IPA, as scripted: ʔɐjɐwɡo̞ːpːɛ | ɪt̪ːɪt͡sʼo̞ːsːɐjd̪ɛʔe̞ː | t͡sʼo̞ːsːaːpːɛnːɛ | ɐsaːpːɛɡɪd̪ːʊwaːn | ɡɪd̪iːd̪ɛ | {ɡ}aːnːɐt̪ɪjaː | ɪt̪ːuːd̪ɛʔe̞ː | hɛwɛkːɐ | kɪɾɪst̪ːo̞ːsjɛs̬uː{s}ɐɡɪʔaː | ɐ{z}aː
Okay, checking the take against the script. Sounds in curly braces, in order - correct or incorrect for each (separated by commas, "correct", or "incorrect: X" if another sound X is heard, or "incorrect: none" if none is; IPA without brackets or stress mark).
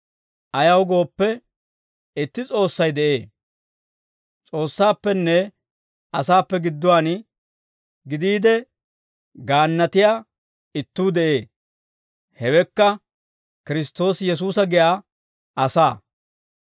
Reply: correct, correct, incorrect: s